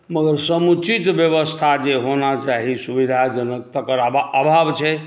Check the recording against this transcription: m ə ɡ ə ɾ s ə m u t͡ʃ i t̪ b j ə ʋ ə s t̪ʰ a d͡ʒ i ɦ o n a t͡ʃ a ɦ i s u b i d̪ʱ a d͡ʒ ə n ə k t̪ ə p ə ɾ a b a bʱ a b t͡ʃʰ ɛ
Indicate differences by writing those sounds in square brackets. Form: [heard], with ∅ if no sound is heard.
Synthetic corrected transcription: m ə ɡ ə ɾ s ə m u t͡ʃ i t̪ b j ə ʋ ə s t̪ʰ a d͡ʒ [e] ɦ o n a t͡ʃ a ɦ i s u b i d̪ʱ a d͡ʒ ə n ə k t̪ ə [k] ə ɾ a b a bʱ a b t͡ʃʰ ɛ